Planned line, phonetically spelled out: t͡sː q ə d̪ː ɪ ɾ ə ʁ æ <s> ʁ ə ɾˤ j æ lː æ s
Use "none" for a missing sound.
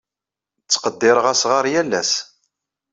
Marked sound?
s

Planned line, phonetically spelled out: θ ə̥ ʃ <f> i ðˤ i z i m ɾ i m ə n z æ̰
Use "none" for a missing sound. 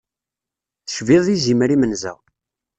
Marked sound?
v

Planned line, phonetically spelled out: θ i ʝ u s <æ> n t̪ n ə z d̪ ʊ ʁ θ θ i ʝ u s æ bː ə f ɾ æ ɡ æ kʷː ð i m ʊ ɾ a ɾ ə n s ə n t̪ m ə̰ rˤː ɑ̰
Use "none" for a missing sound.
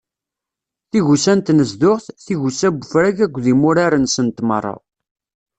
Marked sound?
æ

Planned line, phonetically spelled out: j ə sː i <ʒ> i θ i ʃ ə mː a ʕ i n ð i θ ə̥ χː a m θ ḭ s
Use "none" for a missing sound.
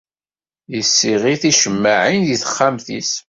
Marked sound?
ʁ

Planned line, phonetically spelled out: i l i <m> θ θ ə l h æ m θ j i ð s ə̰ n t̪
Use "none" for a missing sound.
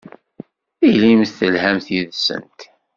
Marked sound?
m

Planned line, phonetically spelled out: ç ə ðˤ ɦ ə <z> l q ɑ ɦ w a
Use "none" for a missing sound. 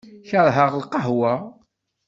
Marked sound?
ʁ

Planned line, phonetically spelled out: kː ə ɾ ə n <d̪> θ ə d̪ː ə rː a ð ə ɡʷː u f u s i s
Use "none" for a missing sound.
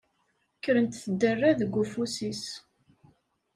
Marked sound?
t̪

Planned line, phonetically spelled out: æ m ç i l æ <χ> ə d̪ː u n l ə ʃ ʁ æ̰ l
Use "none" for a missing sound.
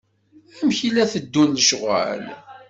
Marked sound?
θ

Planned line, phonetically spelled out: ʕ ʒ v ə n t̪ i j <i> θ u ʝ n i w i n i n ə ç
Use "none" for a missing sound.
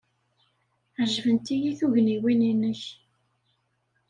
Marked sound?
i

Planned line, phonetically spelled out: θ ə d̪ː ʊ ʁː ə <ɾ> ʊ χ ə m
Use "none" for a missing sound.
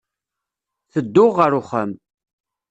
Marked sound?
ɾ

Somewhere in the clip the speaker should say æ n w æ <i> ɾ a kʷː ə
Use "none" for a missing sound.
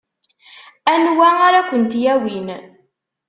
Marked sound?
a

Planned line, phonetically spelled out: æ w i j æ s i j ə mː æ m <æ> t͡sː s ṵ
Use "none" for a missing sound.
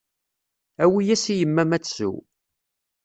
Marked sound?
æ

